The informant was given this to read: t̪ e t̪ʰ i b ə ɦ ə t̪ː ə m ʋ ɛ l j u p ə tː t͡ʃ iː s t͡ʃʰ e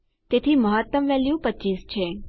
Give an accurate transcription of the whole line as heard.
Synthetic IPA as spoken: t̪ e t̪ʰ i m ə ɦ ə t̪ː ə m ʋ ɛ l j u p ə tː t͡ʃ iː s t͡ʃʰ e

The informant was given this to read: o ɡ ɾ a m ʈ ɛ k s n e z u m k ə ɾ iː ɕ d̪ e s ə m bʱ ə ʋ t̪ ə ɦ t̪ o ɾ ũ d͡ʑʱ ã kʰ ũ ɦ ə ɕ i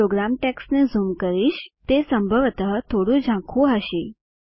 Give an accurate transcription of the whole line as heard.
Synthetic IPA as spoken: o ɡ ɾ a m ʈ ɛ k s n e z u m k ə ɾ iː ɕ t̪ e s ə m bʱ ə ʋ t̪ ə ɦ t̪ʰ o ɽ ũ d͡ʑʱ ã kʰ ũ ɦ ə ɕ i

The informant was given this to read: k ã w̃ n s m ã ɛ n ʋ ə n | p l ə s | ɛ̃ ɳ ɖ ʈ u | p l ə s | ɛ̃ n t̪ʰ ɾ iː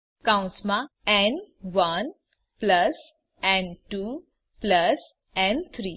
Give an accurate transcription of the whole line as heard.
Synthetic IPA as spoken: k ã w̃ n s m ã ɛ n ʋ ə n | p l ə s | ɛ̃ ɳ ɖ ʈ u | p l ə s | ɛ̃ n t̪ʰ ɾ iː

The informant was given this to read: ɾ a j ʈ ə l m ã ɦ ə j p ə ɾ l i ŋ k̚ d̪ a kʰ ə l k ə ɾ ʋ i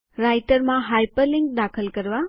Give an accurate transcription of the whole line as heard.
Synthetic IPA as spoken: ɾ a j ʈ ə ɾ m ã ɦ a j p ə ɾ l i ŋ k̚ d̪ a kʰ ə l k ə ɾ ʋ a

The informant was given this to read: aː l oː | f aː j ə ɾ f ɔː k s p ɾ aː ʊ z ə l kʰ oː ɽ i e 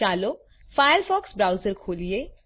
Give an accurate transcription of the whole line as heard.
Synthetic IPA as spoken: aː l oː | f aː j ə ɾ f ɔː k s b ɾ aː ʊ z ə ɾ kʰ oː l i e

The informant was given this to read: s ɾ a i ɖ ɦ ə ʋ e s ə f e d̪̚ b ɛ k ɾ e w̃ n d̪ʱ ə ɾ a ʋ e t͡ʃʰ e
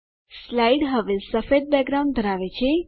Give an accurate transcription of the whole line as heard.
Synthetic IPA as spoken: s l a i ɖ ɦ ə ʋ e s ə f e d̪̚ b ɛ ɡ ɾ a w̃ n d̪ʱ ə ɾ a ʋ e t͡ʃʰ e

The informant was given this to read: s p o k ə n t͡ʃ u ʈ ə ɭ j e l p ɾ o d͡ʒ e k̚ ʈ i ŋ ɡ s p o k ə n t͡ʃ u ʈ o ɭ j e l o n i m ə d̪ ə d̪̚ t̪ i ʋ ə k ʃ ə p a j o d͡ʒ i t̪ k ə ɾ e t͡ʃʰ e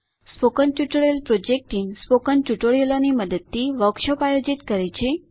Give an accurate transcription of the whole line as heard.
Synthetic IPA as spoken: s p o k ə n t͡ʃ u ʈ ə ɭ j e l p ɾ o d͡ʒ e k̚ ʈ i ŋ ɡ s p o k ə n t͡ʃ u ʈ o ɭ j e l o n i m ə d̪ ə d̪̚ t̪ i ʋ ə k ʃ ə p a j o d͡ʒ i t̪ k ə ɾ e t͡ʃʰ e

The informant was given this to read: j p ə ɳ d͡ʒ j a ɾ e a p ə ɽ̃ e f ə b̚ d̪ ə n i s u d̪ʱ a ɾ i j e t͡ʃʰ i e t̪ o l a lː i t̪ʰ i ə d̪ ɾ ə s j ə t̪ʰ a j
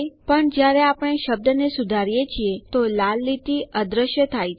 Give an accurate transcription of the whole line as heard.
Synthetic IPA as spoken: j p ə ɳ d͡ʒ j a ɾ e a p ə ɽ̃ e ʃ ə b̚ d̪ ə n e s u d̪ʱ a ɾ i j e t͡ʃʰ i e t̪ o l a lː i t̪ i ə d̪ ɾ ə ʃ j ə t̪ʰ a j

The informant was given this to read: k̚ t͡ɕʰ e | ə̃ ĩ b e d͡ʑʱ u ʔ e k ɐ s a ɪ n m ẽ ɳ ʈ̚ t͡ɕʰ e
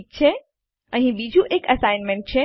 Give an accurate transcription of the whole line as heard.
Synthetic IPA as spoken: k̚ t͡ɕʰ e | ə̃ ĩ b i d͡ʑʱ u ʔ e k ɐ s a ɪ n m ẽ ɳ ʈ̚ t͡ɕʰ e

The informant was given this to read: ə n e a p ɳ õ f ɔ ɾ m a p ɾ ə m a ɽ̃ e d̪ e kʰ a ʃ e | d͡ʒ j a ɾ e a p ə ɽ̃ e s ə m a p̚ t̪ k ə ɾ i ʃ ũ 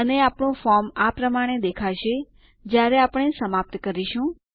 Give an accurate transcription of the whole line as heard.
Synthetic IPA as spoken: ə n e a p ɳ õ f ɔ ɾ m a p ɾ ə m a ɽ̃ e d̪ e kʰ a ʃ e | d͡ʒ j a ɾ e a p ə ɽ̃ e s ə m a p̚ t̪ k ə ɾ i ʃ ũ

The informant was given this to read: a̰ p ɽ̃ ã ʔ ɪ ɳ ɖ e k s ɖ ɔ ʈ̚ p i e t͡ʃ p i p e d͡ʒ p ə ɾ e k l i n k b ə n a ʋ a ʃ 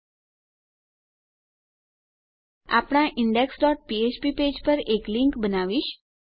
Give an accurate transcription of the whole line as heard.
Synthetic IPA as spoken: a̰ p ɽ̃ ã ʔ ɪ ɳ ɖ e k s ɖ ɔ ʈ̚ p i e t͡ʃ p i p e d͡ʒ p ə ɾ e k l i ŋ k b ə n a ʋ i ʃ

